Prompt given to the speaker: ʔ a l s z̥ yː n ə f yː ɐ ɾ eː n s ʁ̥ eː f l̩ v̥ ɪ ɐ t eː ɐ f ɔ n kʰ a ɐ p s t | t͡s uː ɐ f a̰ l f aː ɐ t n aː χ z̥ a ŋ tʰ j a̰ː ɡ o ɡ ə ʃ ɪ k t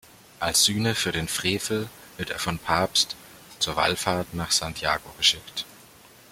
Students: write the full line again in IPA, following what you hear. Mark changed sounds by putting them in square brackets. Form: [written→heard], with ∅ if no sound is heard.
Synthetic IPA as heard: ʔ a l s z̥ yː n ə f yː ɐ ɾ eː n [s→f] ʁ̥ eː f l̩ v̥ ɪ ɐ t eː ɐ f ɔ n [kʰ→pʰ] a ɐ p s t | t͡s uː ɐ [f→v] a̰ l f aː ɐ t n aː χ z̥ a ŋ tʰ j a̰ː ɡ o ɡ ə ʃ ɪ k t